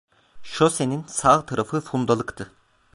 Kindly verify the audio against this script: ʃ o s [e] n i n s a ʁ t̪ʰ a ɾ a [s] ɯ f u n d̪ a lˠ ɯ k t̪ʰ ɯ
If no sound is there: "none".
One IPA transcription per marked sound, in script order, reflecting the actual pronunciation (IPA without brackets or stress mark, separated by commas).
e, f